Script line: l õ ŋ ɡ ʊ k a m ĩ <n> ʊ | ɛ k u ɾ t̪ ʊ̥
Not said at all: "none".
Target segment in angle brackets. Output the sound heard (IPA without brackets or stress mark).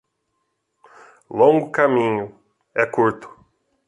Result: ɲ